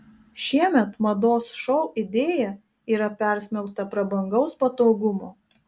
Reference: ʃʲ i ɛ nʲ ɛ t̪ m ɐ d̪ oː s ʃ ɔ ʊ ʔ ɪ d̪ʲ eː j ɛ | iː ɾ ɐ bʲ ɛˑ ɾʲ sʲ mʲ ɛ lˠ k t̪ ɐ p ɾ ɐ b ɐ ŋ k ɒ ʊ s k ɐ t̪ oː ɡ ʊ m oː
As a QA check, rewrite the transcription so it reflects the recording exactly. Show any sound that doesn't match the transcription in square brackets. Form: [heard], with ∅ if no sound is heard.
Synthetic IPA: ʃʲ i ɛ [mʲ] ɛ t̪ m ɐ d̪ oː s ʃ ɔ ʊ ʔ ɪ d̪ʲ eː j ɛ | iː ɾ ɐ [pʲ] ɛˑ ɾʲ sʲ mʲ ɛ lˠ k t̪ ɐ p ɾ ɐ b ɐ ŋ [ɡ] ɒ ʊ s [p] ɐ t̪ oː ɡ ʊ m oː